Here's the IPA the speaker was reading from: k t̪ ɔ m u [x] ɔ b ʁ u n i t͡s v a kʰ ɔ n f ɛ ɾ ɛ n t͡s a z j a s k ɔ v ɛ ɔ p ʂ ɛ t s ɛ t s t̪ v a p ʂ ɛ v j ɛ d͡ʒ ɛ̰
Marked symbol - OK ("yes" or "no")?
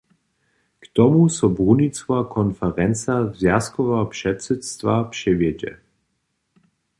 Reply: no